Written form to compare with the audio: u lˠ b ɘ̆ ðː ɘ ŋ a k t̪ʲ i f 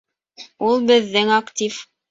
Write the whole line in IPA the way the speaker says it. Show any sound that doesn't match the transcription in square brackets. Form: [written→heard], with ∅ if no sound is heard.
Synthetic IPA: u lˠ b ɘ̆ ðː ɘ ŋ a k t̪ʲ i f